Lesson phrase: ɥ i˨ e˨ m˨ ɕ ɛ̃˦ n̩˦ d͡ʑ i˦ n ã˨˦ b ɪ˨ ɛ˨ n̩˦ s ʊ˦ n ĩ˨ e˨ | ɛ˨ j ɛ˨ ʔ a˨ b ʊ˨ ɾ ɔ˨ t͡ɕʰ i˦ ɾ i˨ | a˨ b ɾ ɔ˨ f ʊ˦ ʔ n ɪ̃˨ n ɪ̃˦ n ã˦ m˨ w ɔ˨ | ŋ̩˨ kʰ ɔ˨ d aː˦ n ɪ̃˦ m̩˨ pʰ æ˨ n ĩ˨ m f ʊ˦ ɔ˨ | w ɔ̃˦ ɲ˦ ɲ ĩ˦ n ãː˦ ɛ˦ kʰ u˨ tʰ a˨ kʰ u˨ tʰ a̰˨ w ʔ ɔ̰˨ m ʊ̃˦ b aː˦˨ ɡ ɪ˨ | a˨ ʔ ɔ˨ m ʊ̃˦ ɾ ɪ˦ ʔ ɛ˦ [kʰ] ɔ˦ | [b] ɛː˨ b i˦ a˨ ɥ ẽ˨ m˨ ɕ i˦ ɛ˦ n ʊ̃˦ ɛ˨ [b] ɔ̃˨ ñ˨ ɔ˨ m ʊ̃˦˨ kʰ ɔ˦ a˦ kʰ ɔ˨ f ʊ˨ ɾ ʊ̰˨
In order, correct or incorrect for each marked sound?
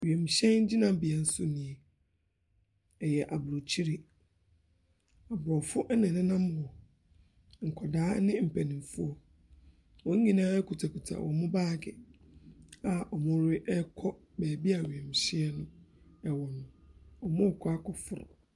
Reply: correct, correct, incorrect: w

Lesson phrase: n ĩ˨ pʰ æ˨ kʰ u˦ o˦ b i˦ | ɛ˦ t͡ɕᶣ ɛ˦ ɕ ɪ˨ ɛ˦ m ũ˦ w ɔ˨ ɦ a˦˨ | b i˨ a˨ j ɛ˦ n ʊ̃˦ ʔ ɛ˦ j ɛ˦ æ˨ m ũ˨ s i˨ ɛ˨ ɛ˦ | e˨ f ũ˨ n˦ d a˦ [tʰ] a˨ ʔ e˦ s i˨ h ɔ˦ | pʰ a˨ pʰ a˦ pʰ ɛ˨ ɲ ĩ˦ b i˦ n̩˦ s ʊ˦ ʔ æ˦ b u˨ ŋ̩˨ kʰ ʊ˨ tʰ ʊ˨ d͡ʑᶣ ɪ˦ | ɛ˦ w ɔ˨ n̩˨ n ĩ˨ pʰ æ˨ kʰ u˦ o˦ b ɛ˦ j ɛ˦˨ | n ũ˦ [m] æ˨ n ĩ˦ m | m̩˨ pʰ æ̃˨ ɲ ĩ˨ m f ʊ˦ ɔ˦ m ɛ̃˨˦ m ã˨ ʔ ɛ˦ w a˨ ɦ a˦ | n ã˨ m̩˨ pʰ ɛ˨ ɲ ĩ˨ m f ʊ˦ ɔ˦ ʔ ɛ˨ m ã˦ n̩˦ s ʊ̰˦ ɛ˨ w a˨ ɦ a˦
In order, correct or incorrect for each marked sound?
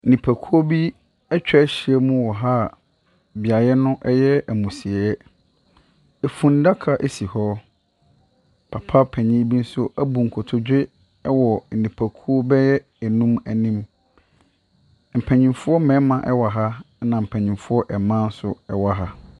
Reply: incorrect: kʰ, correct

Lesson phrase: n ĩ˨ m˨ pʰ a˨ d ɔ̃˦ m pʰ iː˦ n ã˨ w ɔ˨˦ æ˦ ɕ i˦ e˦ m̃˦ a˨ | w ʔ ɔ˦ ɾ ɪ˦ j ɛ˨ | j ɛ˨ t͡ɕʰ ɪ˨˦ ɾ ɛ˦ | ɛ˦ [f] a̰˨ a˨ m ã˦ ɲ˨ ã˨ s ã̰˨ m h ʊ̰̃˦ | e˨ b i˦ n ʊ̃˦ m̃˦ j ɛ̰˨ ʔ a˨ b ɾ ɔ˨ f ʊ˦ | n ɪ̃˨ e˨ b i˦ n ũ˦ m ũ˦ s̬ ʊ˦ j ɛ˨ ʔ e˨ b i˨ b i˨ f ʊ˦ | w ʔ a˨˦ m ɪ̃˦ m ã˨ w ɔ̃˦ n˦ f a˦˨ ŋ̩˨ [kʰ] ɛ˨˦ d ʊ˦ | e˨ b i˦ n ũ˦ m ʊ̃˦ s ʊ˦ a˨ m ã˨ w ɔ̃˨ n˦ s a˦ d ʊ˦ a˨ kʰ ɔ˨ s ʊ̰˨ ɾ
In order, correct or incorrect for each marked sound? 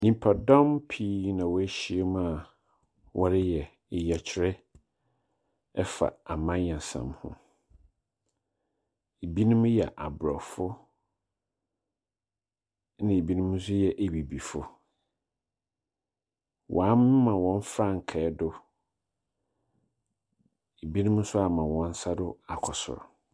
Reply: correct, correct

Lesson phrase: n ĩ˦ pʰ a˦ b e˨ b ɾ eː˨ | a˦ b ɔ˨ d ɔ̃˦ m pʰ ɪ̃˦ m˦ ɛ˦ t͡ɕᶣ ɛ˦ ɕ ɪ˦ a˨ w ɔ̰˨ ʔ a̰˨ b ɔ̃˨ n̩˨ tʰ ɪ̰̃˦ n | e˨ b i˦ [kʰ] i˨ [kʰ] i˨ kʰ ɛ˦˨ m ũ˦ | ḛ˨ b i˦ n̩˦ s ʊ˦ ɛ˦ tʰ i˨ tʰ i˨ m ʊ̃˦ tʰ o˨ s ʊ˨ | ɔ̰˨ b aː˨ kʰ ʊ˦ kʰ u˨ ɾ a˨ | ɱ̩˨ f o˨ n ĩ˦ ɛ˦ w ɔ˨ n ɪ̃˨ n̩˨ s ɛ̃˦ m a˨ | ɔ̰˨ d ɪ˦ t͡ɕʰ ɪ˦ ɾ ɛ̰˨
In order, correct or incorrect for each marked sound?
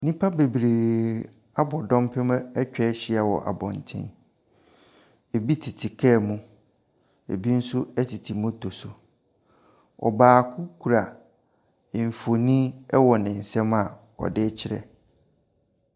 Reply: incorrect: tʰ, incorrect: tʰ

